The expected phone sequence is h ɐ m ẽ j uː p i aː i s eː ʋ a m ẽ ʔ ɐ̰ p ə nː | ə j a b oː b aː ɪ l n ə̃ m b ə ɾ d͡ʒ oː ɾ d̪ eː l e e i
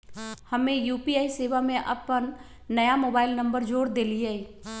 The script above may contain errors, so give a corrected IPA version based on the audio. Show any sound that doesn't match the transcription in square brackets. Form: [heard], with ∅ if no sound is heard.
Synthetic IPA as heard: h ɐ m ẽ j uː p i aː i s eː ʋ a m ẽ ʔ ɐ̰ p ə nː | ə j a [m] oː b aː ɪ l n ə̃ m b ə ɾ d͡ʒ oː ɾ d̪ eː l [i] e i